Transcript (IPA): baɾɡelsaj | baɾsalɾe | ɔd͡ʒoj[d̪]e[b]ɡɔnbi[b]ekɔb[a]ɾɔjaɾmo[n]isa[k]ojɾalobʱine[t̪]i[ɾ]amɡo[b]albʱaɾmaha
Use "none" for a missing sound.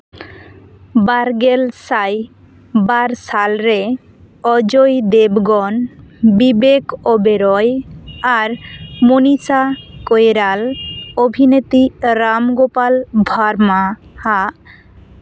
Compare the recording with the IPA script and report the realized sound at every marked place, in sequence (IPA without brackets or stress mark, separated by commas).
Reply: d̪, b, b, e, n, k, t̪, ɾ, p